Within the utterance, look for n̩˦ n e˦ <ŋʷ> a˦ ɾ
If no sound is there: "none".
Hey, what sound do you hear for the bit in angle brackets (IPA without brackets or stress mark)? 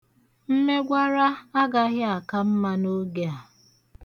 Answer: ɡʷ